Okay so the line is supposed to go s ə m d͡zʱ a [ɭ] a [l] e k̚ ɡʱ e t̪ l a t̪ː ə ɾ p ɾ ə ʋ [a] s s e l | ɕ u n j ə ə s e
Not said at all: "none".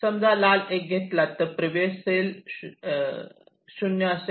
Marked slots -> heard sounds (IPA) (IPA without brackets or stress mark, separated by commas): l, l, e